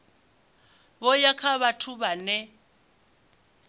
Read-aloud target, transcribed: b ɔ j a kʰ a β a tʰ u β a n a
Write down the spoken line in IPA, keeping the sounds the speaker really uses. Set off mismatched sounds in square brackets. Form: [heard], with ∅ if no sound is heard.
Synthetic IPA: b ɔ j a kʰ a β a tʰ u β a n [ɛ]